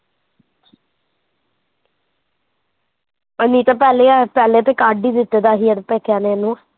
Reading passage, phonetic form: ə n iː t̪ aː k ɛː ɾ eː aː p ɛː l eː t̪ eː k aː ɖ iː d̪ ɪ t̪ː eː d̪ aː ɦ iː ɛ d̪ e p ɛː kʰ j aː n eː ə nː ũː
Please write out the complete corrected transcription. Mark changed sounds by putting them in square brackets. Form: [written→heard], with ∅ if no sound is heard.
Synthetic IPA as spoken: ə n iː t̪ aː [k→p] ɛː [ɾ→l] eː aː p ɛː l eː t̪ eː k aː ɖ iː d̪ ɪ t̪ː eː d̪ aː ɦ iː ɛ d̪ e p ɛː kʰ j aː n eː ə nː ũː